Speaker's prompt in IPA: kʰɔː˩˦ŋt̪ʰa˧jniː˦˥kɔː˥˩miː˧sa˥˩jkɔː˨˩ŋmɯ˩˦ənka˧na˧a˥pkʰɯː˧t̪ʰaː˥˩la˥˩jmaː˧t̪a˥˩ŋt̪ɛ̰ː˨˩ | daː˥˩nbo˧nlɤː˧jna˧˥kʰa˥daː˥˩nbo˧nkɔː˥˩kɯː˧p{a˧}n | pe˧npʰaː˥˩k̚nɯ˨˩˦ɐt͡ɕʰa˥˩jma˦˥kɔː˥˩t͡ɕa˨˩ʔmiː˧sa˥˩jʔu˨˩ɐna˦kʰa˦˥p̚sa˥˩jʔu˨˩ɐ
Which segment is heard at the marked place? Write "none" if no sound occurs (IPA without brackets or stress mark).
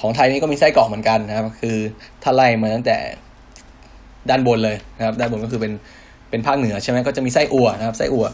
e˧